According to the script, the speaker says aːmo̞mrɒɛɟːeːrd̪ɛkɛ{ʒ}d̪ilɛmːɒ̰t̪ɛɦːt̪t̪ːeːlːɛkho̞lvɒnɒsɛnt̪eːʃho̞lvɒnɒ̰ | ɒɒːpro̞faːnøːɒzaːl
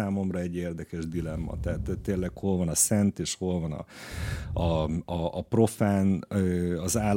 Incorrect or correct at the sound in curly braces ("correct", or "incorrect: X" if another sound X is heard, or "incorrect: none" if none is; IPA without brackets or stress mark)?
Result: correct